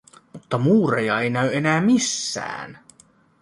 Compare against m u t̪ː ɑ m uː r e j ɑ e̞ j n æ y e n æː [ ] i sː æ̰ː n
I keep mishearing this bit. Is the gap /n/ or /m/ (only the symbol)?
m